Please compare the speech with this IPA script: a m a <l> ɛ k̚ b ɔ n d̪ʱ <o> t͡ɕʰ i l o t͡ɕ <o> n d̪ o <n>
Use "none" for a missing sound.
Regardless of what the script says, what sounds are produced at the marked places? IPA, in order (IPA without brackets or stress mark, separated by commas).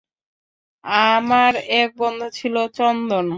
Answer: ɾ, o, ɔ, n